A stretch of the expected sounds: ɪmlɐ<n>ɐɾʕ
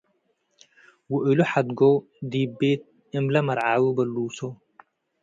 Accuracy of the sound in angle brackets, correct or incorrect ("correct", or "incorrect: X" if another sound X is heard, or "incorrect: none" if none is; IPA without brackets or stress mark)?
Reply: incorrect: m